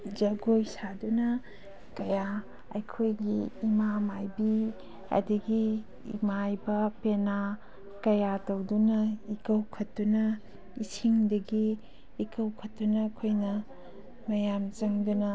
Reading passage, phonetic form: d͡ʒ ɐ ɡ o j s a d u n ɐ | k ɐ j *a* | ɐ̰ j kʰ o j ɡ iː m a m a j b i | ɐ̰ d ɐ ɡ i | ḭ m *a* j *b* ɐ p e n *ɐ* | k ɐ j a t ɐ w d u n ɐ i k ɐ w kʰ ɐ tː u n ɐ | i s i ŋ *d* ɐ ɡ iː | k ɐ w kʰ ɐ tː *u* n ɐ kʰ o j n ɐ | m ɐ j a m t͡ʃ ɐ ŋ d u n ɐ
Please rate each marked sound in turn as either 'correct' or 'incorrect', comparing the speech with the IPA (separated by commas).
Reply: correct, correct, correct, incorrect, correct, correct